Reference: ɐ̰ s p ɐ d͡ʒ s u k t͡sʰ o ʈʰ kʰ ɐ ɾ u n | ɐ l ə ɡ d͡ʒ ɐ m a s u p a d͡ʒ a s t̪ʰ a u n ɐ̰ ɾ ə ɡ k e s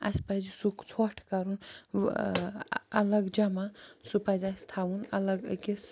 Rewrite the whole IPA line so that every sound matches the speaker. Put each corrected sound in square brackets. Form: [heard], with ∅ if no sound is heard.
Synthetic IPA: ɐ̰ s p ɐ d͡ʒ s u k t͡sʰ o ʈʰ [k] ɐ ɾ u n | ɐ l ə ɡ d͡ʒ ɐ m a s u p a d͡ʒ a s t̪ʰ a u n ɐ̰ [l] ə ɡ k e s